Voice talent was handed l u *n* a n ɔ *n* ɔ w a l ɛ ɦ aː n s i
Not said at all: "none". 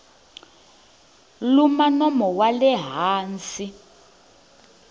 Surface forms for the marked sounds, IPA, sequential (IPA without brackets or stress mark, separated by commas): m, m